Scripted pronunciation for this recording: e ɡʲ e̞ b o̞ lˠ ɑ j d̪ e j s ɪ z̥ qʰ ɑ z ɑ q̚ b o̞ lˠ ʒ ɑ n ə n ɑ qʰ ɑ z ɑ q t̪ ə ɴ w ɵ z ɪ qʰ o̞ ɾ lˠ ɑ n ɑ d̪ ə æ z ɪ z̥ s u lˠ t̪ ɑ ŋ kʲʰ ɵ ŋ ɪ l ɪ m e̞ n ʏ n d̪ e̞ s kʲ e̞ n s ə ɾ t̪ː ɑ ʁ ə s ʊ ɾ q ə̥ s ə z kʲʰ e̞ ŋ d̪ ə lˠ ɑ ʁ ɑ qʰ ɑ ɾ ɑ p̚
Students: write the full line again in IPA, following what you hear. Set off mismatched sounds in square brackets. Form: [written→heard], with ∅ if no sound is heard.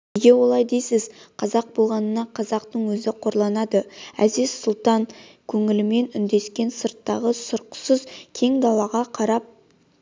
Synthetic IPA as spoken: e ɡʲ e̞ [b→w] o̞ lˠ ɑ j d̪ e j s ɪ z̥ qʰ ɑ z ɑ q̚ b o̞ lˠ [ʒ→ʁ] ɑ n ə n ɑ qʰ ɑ z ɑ q t̪ ə ɴ w ɵ z ɪ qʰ o̞ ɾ lˠ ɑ n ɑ d̪ ə æ z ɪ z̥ s [u→ʊ] lˠ t̪ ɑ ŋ kʲʰ ɵ ŋ ɪ l ɪ m e̞ n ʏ n d̪ e̞ s kʲ e̞ n s ə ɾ t̪ː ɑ ʁ ə s ʊ ɾ q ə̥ s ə z kʲʰ e̞ ŋ d̪ [ə→ɑ] lˠ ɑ ʁ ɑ qʰ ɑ ɾ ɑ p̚